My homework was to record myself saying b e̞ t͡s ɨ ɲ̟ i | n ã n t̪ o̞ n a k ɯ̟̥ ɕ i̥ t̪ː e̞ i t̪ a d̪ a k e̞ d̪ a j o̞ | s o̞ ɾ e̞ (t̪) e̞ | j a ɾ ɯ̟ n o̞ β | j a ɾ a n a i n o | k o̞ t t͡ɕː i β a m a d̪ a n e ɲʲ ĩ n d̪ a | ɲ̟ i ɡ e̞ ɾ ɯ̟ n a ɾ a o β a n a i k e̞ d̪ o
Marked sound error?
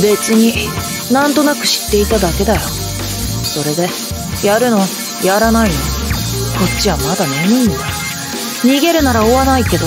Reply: yes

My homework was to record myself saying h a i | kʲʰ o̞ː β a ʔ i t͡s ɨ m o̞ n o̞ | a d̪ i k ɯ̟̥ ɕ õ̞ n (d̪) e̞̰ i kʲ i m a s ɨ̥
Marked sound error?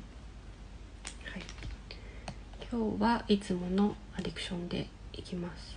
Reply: no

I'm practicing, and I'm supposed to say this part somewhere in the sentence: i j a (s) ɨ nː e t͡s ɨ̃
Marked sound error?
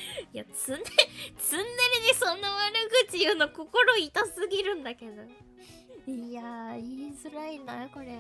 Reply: yes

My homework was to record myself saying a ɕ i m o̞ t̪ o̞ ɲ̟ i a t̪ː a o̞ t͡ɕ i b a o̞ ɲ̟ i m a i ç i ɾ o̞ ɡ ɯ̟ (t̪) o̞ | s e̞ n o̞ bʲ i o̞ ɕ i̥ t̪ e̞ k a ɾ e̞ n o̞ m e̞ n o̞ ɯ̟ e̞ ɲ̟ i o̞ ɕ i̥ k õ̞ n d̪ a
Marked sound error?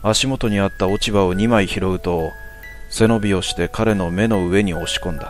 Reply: no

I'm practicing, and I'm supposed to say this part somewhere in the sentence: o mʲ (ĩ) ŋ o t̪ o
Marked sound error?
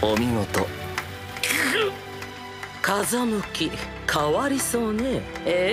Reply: yes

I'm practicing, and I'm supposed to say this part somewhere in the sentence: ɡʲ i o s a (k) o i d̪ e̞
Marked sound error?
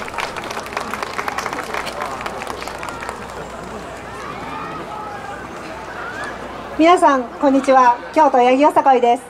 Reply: no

